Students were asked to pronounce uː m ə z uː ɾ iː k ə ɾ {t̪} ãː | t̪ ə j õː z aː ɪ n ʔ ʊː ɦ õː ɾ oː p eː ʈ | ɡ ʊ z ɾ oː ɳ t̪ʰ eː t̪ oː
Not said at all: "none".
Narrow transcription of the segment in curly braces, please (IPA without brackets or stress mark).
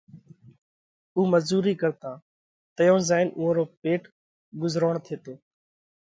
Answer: t̪